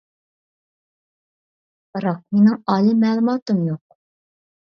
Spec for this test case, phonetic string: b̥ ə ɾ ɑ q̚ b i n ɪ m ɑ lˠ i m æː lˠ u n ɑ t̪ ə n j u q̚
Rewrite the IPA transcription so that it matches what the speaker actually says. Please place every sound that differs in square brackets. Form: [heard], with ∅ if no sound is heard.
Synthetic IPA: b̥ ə ɾ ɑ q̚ [m] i n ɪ [ŋ] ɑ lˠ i m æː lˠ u [m] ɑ t̪ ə [m] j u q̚